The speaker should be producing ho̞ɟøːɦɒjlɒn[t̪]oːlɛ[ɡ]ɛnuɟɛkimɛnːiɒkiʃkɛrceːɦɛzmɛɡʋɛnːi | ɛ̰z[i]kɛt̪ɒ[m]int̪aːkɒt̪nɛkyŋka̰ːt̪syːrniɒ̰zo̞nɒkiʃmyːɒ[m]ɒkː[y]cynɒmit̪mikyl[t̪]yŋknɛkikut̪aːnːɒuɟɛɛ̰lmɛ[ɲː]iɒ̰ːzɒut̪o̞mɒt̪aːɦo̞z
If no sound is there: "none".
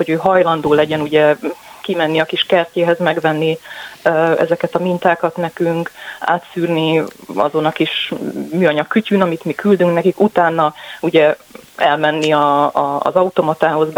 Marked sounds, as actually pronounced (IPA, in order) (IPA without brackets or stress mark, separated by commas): d̪, ɟ, ɛ, m, ɲ, y, d̪, nː